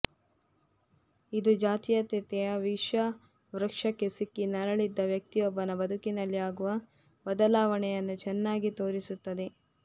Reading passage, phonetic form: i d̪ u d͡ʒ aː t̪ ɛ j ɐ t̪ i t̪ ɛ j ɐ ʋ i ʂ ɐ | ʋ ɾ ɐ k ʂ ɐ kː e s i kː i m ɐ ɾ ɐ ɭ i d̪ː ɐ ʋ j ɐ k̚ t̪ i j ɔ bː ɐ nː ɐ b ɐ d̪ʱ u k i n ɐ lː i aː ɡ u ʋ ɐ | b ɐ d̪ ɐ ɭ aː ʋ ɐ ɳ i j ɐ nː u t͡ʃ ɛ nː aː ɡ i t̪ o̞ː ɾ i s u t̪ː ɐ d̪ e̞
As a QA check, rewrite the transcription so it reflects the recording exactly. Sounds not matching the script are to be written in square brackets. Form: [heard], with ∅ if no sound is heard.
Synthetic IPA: i d̪ u d͡ʒ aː t̪ [i] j ɐ t̪ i t̪ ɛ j ɐ ʋ i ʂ ɐ | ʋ ɾ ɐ k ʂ ɐ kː e s i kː i [n] ɐ ɾ ɐ ɭ i d̪ː ɐ ʋ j ɐ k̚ t̪ i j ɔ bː ɐ [n] ɐ b ɐ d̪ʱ u k i n ɐ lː i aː ɡ u ʋ ɐ | b ɐ d̪ ɐ [l] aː ʋ ɐ ɳ [ɛ] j ɐ nː u t͡ʃ ɛ nː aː ɡ i t̪ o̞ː ɾ i s u t̪ː ɐ d̪ e̞